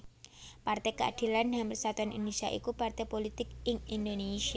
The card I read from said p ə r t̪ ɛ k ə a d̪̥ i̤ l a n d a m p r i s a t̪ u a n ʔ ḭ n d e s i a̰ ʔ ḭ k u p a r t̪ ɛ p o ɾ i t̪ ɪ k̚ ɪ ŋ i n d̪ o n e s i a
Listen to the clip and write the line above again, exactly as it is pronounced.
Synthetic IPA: p a r t̪ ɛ k ə a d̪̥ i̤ l a n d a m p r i s a t̪ u a n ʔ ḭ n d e s i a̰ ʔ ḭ k u p a r t̪ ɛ p o l i t̪ ɪ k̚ ɪ ŋ i n d̪ o n e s i a

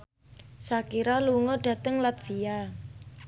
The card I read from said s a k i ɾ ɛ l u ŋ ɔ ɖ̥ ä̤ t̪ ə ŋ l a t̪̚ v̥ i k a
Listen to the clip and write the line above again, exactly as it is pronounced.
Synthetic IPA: s a k i ɾ a l u ŋ ɔ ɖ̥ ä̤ t̪ ə ŋ l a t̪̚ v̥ i a

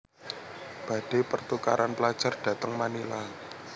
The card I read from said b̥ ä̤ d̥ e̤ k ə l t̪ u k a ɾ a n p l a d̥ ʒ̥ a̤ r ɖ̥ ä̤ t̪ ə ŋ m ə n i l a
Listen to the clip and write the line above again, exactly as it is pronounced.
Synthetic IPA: b̥ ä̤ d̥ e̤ p ə r t̪ u k a ɾ a n p l a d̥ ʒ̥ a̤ r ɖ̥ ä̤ t̪ ə ŋ m a n i l a

